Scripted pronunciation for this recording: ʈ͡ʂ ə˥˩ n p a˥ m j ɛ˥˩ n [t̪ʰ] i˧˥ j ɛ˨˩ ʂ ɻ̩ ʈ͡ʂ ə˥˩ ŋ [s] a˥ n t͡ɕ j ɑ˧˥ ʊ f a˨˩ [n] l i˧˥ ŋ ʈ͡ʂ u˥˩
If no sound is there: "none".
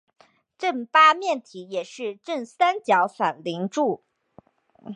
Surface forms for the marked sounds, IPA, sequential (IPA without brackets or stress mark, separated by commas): t̪ʰ, s, n